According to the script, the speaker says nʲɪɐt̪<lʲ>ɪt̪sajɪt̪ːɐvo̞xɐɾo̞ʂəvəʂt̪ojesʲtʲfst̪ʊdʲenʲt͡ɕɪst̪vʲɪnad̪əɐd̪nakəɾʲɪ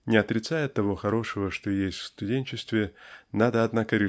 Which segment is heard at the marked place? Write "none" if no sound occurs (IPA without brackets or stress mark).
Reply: ɾʲ